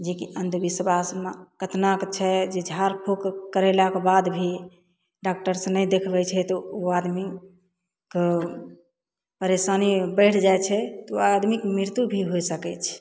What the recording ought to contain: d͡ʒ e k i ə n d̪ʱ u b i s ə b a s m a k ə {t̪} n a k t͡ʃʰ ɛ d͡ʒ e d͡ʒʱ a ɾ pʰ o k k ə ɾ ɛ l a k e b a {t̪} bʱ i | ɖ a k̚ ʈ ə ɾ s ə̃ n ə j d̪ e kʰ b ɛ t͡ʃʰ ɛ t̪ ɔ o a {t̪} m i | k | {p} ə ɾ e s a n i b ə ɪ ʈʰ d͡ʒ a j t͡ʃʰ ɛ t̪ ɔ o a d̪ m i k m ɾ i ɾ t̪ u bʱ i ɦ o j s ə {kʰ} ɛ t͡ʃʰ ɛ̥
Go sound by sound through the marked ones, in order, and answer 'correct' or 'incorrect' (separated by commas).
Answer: correct, incorrect, incorrect, correct, incorrect